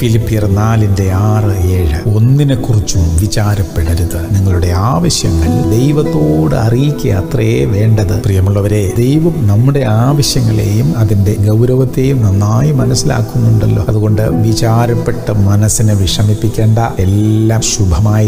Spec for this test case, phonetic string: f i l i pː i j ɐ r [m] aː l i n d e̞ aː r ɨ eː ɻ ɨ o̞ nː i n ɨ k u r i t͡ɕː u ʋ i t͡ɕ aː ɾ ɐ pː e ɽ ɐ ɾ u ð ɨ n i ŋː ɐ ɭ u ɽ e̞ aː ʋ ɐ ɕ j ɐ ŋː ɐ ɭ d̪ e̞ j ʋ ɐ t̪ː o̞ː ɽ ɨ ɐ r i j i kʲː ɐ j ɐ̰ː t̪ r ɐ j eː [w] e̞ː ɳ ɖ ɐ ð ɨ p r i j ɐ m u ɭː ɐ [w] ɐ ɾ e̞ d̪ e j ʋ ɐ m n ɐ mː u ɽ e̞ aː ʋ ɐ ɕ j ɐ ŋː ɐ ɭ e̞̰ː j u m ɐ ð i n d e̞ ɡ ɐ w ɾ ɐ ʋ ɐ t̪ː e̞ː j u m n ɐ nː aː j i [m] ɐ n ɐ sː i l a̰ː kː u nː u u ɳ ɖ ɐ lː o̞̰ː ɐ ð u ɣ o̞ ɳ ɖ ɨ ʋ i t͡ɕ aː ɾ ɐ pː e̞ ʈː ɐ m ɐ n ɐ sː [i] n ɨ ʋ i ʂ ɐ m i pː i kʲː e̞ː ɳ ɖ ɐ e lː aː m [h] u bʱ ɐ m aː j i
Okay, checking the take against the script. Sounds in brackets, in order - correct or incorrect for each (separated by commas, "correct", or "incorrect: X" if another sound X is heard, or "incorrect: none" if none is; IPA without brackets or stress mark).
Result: incorrect: n, incorrect: ʋ, incorrect: ʋ, correct, correct, incorrect: ɕ